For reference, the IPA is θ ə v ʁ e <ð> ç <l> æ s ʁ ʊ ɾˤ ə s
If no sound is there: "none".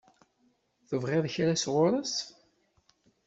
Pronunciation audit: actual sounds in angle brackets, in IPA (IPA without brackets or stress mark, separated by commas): ð, ɾ